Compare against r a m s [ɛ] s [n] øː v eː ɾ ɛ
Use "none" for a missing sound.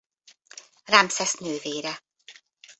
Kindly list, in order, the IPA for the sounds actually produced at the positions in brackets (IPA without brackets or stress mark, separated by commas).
ɛ, n